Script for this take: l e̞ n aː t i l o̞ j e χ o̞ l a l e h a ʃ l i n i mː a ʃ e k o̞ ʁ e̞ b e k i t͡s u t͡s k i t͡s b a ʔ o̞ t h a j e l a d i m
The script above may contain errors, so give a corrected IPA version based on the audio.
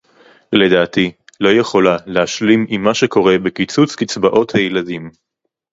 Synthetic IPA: l e̞ d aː t i l o̞ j e χ o̞ l a l e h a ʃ l i m i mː a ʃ e k o̞ ʁ e̞ b e k i t͡s u t͡s k i t͡s b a ʔ o̞ t h a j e l a d i m